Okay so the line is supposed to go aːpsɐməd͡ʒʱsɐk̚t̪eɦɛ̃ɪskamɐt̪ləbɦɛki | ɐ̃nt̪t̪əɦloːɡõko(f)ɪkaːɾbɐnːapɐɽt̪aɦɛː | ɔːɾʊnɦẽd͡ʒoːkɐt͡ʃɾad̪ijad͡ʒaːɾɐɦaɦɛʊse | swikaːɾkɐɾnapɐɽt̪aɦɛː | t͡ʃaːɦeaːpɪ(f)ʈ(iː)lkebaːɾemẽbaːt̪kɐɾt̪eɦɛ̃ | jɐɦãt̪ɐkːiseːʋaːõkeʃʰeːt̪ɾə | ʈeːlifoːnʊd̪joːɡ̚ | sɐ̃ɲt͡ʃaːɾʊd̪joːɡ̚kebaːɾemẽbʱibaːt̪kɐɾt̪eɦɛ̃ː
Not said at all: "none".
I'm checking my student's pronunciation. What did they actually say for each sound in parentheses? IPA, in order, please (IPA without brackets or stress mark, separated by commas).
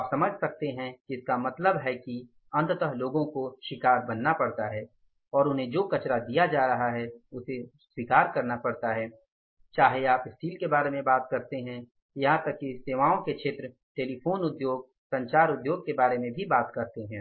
ʃ, s, iː